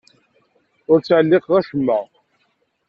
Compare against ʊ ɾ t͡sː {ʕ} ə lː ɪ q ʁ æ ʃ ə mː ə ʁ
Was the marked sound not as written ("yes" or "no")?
no